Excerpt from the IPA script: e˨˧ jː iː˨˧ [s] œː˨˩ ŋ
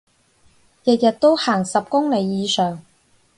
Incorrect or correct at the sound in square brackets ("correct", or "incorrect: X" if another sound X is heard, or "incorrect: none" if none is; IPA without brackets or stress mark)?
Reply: correct